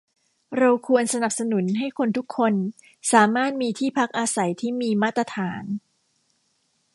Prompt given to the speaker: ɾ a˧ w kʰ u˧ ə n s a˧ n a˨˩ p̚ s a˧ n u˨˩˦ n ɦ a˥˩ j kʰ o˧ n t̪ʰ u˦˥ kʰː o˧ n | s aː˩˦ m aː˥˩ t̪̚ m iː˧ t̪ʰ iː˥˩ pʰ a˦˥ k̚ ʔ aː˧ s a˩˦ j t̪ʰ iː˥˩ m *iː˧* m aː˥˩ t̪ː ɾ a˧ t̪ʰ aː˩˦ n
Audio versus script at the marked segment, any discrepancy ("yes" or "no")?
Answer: no